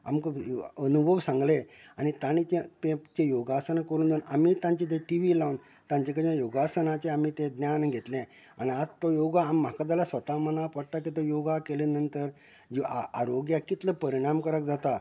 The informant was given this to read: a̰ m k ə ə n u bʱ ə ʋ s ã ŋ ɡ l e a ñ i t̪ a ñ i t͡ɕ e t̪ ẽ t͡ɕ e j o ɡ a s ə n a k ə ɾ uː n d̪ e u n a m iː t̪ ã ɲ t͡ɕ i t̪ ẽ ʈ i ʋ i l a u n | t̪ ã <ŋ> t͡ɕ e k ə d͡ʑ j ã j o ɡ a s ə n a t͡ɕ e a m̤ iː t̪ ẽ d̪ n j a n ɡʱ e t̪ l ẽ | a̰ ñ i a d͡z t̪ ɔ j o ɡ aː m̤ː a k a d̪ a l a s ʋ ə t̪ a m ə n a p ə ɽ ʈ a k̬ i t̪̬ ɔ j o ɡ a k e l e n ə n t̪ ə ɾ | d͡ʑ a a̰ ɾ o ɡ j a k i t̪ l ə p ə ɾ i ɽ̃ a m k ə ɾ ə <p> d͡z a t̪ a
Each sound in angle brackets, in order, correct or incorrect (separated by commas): incorrect, incorrect